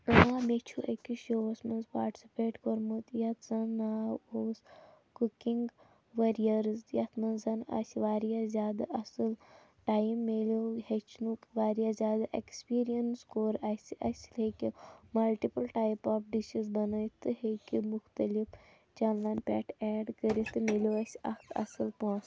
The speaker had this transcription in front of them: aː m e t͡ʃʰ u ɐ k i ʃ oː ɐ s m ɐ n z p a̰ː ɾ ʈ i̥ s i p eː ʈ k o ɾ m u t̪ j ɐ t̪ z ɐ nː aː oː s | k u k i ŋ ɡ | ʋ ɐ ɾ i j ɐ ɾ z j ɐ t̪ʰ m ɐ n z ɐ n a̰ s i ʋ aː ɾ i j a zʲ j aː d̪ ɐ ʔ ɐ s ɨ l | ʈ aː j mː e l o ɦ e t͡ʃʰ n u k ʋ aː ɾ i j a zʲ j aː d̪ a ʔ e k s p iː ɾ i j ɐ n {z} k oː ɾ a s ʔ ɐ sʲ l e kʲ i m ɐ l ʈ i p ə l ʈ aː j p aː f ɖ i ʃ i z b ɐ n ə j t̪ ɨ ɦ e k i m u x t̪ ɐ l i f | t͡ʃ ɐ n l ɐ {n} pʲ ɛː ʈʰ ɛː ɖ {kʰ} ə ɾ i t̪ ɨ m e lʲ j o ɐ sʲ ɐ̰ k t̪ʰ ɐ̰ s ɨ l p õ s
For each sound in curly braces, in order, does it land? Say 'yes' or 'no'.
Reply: no, yes, no

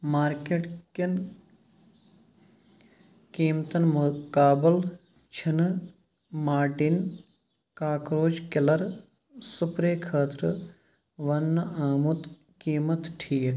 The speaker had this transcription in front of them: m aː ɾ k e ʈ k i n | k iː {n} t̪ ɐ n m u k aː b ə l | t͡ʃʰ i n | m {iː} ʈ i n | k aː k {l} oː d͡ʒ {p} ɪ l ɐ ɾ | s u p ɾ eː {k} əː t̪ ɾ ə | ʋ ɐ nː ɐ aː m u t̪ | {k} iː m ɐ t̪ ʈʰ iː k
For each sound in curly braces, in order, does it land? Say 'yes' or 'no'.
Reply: no, no, no, no, no, yes

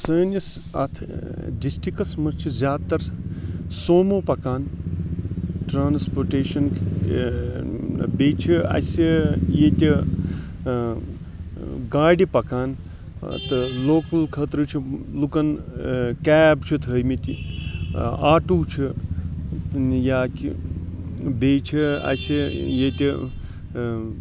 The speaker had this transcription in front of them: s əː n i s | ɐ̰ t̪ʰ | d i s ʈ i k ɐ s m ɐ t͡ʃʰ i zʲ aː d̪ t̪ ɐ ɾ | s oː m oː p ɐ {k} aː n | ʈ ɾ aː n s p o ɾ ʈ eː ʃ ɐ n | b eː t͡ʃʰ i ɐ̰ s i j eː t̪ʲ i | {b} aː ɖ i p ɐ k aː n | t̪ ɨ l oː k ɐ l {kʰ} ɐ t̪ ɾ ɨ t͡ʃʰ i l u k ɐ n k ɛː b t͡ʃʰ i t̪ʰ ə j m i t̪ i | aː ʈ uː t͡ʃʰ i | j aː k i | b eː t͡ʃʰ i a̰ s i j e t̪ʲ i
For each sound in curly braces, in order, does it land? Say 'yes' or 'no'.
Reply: yes, no, yes

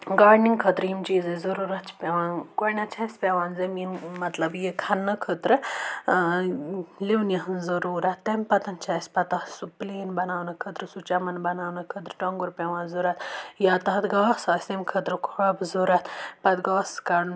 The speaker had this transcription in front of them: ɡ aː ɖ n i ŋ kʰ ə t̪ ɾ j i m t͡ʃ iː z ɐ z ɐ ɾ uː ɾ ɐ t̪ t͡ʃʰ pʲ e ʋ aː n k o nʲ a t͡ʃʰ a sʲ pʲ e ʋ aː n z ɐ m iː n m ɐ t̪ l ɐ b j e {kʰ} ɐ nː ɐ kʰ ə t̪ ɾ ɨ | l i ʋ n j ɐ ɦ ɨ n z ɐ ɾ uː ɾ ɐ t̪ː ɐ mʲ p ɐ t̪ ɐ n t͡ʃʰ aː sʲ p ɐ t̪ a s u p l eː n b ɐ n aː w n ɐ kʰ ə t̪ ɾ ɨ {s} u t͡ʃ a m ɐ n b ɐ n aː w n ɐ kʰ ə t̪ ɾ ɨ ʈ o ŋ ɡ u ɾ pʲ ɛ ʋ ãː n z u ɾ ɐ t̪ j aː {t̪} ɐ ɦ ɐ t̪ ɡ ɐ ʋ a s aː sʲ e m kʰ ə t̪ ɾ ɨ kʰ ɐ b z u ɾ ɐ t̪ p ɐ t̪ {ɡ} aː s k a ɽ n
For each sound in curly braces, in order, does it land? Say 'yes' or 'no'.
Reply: yes, yes, yes, yes

